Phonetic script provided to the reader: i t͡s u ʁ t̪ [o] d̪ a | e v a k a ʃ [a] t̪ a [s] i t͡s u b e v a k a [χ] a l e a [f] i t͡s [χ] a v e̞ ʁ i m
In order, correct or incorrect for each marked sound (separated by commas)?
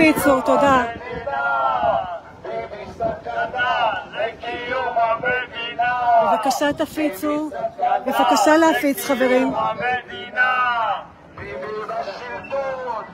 correct, correct, incorrect, incorrect, correct, correct